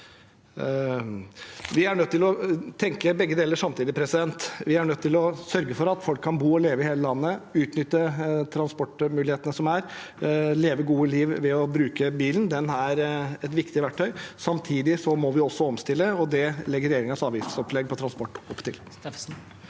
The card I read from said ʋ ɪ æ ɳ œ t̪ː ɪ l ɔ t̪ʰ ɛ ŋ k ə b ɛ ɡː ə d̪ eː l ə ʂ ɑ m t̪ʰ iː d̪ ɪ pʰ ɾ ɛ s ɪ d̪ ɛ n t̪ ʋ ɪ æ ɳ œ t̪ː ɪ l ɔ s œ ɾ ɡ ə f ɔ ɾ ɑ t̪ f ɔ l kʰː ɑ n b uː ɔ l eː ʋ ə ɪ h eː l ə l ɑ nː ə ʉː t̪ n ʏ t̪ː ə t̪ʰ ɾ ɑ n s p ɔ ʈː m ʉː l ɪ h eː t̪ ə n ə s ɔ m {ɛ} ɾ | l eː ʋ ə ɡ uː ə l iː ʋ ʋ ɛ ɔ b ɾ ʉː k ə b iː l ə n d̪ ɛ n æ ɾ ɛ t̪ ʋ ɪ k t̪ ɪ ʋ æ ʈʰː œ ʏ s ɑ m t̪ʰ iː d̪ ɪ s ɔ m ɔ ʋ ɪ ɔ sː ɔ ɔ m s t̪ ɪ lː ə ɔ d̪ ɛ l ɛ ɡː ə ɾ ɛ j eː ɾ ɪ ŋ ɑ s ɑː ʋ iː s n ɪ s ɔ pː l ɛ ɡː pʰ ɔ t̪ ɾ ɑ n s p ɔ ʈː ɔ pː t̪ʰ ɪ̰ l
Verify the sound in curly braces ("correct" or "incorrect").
incorrect